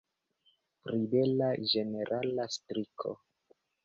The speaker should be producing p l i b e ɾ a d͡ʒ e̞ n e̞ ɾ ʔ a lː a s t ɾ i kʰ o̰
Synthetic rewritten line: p ɾ i b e l a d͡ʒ e̞ n e̞ ɾ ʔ a l a s t ɾ i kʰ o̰